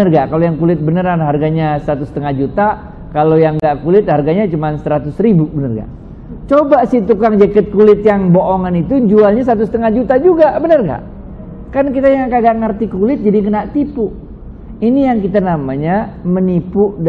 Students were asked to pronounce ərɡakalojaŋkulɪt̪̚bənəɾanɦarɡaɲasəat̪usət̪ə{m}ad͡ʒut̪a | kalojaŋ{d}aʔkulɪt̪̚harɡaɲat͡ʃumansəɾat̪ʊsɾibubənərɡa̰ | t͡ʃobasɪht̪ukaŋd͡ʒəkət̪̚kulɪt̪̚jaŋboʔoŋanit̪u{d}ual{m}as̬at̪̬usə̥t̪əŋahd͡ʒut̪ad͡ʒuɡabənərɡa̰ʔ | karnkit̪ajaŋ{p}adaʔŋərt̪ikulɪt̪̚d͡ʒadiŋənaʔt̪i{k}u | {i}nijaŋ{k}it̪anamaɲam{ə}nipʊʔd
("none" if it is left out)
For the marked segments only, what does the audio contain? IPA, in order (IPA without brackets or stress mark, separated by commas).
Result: ŋ, ɡ, d͡ʒ, ɲ, k, p, i, k, ə